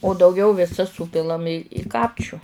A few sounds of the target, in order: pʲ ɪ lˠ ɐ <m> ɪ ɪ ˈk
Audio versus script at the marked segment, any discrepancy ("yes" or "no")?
no